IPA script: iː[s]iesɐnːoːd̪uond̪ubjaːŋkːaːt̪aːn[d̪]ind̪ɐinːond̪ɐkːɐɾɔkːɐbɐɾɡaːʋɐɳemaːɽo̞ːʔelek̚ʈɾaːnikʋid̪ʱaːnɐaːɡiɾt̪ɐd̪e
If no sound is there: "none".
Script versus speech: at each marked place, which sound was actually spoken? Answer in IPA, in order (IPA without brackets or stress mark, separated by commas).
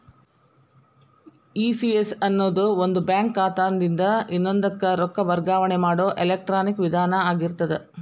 s, d̪